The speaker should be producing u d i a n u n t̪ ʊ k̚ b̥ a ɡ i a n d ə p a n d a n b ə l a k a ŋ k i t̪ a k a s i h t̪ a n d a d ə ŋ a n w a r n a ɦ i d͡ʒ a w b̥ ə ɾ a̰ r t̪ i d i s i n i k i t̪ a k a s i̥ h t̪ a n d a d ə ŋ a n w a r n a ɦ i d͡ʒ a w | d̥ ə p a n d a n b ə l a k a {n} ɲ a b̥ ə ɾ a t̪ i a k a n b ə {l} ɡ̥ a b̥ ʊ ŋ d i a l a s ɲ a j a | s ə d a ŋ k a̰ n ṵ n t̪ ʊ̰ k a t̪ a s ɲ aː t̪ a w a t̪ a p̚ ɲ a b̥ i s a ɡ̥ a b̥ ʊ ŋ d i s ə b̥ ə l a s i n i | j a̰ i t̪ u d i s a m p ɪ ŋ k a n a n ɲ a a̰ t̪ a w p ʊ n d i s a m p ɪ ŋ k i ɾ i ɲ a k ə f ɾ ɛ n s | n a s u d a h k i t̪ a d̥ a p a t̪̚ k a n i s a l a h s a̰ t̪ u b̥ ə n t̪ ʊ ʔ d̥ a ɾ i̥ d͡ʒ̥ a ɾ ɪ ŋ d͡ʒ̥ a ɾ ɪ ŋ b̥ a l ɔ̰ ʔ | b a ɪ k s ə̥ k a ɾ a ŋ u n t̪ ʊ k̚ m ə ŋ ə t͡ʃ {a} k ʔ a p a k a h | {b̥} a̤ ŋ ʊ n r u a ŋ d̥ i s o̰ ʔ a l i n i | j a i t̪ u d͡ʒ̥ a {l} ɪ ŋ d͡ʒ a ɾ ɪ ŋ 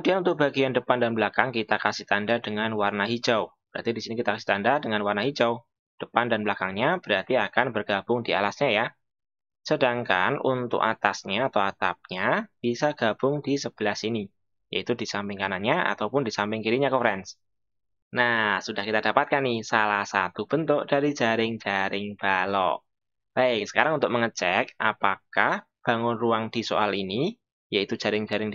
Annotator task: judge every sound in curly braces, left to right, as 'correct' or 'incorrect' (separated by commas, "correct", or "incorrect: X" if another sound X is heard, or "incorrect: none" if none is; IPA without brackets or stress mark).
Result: incorrect: ŋ, incorrect: r, incorrect: ɛ, correct, incorrect: ɾ